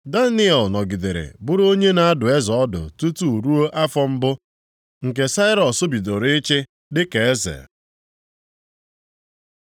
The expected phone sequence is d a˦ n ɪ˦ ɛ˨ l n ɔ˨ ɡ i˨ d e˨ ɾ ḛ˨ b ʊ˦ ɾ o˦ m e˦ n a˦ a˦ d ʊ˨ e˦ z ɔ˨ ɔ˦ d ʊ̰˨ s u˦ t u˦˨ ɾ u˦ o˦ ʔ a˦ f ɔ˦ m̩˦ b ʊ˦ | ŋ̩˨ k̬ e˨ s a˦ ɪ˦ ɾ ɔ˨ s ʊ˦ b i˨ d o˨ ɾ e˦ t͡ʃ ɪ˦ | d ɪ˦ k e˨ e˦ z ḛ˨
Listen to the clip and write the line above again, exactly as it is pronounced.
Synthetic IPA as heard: d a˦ n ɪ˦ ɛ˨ l n ɔ˨ ɡ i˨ d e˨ ɾ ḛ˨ b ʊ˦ ɾ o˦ ɲ e˦ n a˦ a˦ d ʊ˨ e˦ z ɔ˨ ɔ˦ d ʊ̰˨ t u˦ t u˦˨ ɾ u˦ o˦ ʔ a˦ f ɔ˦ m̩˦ b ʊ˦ | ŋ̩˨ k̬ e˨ s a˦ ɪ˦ ɾ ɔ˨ s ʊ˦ b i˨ d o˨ ɾ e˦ t͡ʃ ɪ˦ | d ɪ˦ k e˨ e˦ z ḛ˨